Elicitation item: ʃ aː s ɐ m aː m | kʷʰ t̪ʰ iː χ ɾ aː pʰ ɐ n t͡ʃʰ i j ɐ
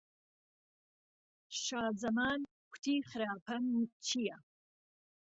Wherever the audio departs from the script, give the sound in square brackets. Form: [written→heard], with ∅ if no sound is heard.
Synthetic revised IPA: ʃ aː [s→z] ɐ m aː [m→n] | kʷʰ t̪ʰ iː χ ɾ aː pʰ ɐ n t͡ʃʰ i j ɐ